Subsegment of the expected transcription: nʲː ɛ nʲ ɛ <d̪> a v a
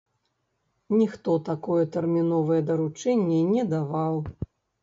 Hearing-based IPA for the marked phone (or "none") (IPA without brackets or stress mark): d̪